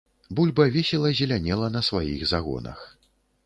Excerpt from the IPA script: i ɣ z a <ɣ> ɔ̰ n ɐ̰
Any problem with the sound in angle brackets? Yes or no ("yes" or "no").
no